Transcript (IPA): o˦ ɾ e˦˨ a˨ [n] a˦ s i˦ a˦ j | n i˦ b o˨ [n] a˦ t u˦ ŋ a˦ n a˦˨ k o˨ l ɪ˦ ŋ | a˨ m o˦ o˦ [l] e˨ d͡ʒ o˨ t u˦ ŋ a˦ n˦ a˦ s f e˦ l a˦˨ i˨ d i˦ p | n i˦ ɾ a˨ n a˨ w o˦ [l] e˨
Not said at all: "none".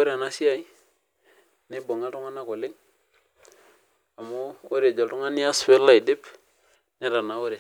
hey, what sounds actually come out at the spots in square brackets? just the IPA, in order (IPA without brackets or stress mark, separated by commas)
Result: n, ŋ, ɾ, ɾ